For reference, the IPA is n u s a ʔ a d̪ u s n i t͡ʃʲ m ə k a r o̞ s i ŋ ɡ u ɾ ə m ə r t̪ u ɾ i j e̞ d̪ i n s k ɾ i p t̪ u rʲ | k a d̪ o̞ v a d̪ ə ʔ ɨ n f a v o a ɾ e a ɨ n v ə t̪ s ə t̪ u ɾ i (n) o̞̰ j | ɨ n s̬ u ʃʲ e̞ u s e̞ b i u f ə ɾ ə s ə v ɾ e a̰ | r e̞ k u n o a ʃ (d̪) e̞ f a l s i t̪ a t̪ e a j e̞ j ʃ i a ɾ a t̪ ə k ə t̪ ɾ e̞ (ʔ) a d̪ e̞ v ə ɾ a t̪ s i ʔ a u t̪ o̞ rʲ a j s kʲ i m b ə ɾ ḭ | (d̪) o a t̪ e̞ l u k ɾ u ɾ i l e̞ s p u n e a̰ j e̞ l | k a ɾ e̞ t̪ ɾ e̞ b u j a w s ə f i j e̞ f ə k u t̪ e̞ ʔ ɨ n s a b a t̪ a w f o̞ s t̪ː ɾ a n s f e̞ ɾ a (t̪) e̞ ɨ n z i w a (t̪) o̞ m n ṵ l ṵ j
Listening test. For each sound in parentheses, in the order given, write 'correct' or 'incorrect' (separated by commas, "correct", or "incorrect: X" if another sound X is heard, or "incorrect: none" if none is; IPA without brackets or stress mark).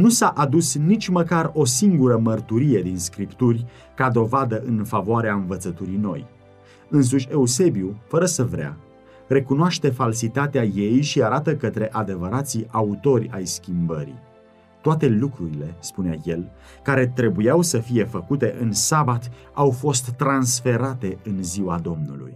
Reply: correct, incorrect: t̪, correct, incorrect: t̪, correct, incorrect: d̪